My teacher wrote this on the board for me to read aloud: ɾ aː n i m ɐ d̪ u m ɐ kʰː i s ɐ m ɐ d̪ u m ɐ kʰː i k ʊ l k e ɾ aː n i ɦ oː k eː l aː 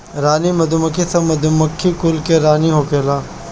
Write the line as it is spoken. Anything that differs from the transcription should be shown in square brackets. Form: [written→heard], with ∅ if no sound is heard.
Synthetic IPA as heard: ɾ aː n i m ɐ d̪ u m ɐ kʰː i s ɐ m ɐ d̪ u m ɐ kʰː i k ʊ l k e ɾ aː n i ɦ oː k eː l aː